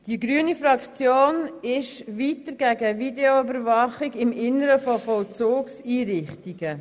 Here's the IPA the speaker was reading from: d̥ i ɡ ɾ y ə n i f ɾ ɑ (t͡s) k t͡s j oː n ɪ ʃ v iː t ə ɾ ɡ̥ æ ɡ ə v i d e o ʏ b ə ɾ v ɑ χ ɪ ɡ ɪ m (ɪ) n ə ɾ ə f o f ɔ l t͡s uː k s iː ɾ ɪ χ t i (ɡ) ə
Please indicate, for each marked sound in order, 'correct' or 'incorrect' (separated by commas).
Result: incorrect, correct, correct